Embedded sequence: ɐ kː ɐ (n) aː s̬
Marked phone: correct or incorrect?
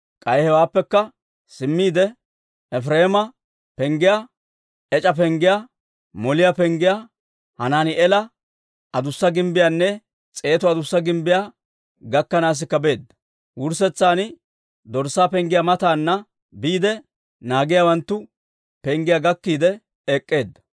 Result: correct